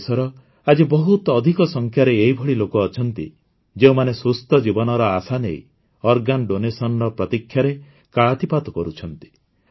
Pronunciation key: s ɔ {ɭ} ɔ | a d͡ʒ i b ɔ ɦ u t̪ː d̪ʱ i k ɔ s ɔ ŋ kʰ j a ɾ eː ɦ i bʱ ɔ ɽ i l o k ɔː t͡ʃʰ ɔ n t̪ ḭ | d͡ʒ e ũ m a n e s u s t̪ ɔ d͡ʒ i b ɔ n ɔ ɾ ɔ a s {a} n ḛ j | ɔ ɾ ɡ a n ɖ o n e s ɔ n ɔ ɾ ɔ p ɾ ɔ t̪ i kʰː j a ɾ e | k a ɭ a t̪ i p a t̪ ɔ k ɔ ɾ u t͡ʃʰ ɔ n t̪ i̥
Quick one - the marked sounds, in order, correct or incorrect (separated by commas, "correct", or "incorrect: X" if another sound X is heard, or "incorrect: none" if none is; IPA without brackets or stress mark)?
incorrect: ɾ, correct